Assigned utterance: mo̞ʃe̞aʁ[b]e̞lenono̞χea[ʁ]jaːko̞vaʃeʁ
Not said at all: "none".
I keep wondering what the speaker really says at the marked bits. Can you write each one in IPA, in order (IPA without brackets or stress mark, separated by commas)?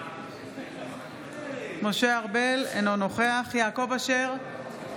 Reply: b, χ